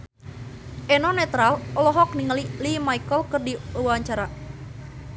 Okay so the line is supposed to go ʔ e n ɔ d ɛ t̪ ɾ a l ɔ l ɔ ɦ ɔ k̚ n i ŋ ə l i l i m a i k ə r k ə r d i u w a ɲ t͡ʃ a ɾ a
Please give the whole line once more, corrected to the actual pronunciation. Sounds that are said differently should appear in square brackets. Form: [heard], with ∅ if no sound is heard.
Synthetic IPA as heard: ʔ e n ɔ [n] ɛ t̪ ɾ a l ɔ l ɔ ɦ ɔ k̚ n i ŋ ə l i l i m a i k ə [l] k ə r d i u w a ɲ t͡ʃ a ɾ a